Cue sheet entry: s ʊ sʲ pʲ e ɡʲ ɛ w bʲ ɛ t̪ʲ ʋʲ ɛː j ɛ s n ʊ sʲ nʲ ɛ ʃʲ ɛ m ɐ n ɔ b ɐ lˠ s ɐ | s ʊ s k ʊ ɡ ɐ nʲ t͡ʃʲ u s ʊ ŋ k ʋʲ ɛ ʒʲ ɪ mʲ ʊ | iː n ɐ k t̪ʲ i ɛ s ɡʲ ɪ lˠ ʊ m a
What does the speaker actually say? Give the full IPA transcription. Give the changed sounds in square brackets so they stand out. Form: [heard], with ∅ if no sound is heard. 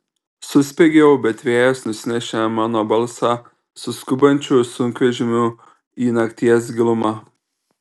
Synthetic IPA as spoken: s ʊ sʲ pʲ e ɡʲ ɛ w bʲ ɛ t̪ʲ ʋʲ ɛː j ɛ s n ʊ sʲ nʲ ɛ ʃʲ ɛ m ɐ n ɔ b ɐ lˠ s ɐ | s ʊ s k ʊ [b] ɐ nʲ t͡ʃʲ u s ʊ ŋ k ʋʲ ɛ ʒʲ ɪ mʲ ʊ | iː n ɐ k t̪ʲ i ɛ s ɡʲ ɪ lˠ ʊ m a